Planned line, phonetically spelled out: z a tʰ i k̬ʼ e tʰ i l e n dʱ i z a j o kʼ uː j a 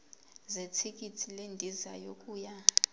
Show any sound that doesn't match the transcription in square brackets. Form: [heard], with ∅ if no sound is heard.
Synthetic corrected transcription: z [e] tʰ i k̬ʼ [i] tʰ i l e n dʱ i z a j o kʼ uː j a